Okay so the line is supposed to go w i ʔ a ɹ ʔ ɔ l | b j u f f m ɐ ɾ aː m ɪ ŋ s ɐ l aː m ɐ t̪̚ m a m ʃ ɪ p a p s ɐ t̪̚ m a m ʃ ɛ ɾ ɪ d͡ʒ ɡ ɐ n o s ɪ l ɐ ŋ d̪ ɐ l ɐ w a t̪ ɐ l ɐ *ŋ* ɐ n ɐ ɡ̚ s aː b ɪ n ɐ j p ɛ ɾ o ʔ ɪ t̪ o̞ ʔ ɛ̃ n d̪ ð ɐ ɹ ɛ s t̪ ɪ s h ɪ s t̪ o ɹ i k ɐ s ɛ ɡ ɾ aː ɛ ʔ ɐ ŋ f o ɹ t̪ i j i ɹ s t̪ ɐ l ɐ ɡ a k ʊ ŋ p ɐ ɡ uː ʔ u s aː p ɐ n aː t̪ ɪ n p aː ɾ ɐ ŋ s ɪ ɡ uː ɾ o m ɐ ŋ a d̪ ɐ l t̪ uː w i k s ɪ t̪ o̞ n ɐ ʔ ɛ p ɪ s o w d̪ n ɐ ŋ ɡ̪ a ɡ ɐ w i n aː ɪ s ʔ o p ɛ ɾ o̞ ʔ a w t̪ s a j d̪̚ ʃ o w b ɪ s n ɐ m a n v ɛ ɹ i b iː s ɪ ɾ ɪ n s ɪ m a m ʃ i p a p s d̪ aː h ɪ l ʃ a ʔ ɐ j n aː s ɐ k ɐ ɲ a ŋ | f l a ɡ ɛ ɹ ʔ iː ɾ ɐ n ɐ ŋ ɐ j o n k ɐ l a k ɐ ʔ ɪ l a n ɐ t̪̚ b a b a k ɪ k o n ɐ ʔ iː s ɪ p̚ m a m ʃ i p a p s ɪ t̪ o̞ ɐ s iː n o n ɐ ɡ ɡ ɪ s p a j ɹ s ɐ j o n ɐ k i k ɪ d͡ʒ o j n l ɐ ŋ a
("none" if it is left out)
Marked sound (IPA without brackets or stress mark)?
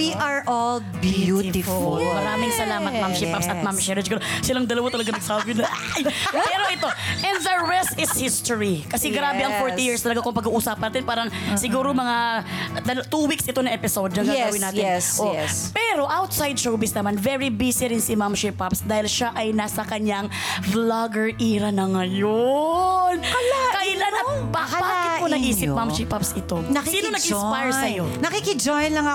ɡ